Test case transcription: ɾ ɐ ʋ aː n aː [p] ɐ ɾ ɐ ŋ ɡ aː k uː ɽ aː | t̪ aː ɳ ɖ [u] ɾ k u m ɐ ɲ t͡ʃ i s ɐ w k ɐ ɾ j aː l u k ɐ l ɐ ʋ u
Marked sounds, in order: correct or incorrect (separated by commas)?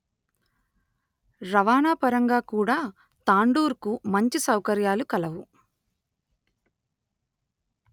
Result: correct, incorrect